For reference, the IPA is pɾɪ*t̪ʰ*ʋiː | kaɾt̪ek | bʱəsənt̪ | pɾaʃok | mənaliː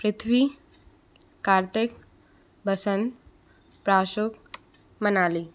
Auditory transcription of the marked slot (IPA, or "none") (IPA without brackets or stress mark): t̪ʰ